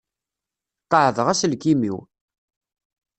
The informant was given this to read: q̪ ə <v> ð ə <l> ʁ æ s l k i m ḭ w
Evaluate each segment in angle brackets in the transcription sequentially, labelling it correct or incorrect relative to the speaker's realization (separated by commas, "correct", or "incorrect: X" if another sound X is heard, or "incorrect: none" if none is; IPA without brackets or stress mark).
incorrect: ʕ, incorrect: none